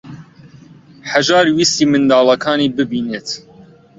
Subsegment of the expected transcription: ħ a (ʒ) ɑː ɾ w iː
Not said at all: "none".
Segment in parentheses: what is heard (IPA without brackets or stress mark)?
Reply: ʒ